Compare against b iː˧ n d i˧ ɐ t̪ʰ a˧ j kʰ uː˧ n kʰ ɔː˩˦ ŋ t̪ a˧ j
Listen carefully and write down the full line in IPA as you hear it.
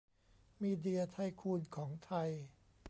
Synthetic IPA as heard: m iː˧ d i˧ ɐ t̪ʰ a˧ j kʰ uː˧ n kʰ ɔː˩˦ ŋ t̪ʰ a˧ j